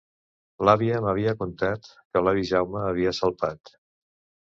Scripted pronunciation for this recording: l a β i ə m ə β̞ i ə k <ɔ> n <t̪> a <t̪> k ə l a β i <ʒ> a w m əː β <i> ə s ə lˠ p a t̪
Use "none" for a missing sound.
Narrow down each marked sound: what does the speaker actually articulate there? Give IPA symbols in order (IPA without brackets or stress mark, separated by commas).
u, t̪, t̪, ʒ, i